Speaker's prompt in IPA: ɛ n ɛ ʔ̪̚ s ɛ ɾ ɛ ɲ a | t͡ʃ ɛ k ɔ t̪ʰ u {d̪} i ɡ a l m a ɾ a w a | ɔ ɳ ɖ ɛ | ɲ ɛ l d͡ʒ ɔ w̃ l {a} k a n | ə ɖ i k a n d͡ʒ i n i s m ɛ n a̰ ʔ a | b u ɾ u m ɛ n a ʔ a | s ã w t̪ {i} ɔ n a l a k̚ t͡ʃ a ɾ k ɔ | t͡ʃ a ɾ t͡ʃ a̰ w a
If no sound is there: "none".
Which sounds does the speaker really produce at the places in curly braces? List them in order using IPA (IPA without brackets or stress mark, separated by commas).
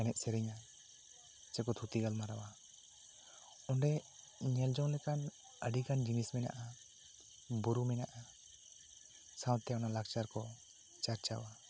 t̪, ɛ, ɛ